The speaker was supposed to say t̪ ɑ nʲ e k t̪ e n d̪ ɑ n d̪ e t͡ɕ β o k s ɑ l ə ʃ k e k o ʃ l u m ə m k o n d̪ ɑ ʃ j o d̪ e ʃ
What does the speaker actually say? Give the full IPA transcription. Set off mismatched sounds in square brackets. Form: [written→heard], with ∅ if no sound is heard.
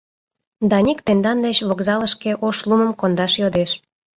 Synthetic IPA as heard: [t̪→d̪] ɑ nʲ [e→i] k t̪ e n d̪ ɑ n d̪ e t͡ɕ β o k [s→z] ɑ l ə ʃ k e [k→ʔ] o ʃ l u m ə m k o n d̪ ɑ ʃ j o d̪ e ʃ